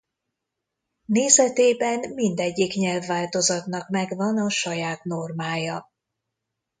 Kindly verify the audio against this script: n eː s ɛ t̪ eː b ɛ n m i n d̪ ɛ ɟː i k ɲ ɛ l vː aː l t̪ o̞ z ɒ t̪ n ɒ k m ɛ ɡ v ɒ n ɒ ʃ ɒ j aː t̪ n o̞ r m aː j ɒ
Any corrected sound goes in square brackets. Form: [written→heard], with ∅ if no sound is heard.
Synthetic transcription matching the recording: n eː [s→z] ɛ t̪ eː b ɛ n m i n d̪ ɛ ɟː i k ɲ ɛ l vː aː l t̪ o̞ z ɒ t̪ n ɒ k m ɛ ɡ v ɒ n ɒ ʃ ɒ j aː t̪ n o̞ r m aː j ɒ